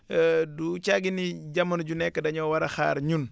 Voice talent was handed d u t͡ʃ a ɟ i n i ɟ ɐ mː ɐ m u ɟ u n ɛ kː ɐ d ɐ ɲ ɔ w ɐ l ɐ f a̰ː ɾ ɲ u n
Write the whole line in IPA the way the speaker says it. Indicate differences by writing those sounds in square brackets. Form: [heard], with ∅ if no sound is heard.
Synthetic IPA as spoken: d u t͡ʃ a [ɡ] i n i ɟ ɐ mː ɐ [n] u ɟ u n ɛ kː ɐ d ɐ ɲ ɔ w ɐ [ɾ] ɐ [x] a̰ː ɾ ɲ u n